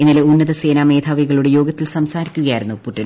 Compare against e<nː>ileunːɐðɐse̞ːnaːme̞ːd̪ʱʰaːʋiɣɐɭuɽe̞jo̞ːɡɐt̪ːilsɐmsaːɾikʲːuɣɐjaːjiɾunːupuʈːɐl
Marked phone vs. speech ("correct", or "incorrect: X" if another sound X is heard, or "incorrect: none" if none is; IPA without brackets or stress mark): correct